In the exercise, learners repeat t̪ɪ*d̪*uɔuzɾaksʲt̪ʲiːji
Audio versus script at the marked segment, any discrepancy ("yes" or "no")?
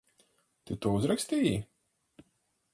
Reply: yes